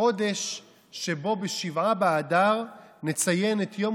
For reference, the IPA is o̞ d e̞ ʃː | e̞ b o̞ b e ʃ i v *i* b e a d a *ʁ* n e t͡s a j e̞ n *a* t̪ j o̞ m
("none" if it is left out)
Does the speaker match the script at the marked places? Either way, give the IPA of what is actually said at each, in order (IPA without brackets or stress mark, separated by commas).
a, ʁ, e